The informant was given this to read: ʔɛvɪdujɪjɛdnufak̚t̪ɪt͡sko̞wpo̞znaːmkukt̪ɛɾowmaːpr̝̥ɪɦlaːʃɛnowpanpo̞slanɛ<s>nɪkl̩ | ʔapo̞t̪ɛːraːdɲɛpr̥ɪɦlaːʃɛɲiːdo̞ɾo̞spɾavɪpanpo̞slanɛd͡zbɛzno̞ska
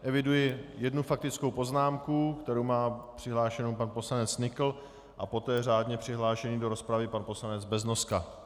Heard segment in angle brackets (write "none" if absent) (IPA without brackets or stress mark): t͡s